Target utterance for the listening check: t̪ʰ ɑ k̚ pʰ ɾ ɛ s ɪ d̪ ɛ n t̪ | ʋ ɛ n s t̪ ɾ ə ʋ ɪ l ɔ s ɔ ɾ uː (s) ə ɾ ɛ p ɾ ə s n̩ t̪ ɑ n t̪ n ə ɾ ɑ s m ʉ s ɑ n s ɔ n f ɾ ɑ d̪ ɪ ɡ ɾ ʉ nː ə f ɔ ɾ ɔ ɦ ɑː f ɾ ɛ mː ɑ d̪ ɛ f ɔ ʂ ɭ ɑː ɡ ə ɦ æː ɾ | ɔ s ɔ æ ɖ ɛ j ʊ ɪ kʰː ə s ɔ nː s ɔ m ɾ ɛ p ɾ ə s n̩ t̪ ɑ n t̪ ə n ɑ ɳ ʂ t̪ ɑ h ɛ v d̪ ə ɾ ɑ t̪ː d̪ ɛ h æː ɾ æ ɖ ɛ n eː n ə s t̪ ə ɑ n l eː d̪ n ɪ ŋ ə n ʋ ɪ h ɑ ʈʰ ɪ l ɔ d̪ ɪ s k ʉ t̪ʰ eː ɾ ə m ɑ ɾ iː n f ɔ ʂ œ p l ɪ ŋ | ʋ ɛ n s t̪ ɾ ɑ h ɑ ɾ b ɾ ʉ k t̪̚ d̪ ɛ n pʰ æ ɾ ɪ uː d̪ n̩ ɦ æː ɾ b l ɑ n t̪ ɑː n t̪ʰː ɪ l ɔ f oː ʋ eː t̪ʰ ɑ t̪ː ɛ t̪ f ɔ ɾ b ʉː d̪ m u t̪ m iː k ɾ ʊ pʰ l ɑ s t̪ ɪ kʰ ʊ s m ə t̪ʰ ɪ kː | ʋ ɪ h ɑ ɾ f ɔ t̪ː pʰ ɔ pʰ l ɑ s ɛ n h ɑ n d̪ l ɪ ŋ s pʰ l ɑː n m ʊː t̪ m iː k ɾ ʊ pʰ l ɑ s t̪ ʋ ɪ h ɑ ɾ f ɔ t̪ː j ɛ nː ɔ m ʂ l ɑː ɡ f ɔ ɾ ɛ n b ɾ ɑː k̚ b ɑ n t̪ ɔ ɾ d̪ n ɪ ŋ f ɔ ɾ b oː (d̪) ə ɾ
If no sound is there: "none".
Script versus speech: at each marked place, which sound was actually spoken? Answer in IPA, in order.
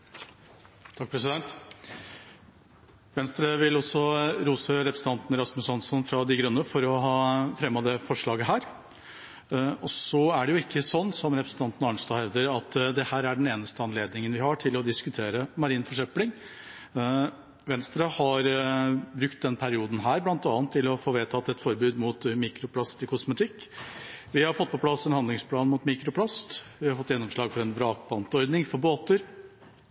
s, t̪

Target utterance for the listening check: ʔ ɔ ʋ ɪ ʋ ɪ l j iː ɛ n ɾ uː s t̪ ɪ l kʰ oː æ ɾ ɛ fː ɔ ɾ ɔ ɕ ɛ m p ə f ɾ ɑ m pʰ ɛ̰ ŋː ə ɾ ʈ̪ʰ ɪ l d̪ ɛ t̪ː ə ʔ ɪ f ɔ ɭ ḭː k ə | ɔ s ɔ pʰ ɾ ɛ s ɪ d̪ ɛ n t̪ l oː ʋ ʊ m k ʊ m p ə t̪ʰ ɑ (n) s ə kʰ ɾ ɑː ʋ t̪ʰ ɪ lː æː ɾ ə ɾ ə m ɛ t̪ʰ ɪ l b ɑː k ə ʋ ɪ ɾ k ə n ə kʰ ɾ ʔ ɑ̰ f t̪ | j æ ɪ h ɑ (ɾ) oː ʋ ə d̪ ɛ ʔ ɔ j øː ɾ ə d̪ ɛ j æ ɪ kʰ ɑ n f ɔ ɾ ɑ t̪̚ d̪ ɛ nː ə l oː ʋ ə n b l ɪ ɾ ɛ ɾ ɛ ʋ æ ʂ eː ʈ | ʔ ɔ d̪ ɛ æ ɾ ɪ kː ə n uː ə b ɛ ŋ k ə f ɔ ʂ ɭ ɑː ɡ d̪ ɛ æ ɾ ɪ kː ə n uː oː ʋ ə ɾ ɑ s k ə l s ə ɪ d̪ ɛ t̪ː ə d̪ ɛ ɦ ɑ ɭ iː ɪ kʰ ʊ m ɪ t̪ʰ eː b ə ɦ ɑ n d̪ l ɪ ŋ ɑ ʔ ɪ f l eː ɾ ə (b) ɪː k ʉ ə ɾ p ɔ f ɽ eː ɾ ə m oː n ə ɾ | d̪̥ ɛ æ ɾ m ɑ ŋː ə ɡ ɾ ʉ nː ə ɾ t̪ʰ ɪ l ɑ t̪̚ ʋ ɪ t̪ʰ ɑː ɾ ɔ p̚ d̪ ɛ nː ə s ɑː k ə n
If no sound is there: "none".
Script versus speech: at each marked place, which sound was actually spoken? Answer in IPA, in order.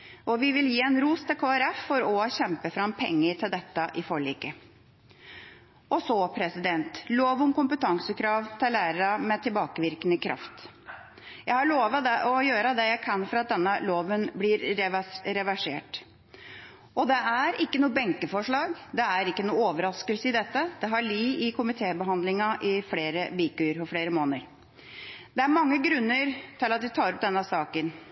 ŋ, ɭ, b

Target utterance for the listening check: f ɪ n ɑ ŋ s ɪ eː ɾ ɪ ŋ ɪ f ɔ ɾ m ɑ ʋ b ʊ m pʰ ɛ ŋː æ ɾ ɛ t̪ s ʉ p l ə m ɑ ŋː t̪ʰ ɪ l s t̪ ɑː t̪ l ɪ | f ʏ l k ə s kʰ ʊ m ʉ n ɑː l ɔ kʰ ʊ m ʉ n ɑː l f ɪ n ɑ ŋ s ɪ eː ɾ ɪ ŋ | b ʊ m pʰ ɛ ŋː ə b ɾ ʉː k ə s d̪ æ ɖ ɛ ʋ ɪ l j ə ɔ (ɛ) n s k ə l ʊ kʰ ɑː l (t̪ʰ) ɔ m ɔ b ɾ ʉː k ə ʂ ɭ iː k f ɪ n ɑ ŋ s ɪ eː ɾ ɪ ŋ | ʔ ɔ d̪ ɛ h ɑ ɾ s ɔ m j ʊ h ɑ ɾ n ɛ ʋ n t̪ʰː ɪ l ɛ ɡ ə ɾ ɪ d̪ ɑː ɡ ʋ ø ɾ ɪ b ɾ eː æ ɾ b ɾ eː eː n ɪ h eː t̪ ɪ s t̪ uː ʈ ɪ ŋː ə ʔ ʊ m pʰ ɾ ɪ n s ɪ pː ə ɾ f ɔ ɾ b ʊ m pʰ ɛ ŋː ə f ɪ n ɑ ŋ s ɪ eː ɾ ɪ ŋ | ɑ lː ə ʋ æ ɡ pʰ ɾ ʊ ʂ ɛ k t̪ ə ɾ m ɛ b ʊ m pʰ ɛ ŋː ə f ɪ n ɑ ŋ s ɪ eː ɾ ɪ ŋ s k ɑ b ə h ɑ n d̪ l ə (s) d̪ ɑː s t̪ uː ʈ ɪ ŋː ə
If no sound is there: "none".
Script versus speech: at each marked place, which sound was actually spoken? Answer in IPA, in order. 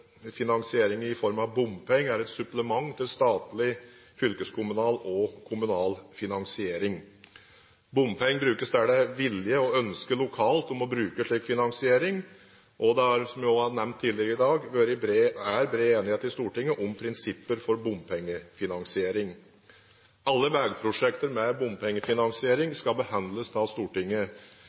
œ, t̪, s

